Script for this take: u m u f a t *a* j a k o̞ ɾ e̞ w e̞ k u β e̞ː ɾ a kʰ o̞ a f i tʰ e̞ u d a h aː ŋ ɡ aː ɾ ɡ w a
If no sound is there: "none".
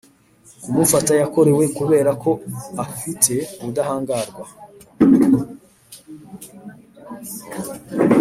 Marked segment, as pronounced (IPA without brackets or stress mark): a